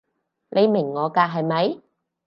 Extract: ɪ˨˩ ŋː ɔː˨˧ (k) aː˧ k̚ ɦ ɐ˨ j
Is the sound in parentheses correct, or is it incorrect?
correct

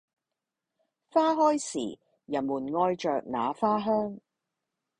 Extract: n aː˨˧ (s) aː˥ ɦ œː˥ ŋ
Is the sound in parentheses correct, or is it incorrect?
incorrect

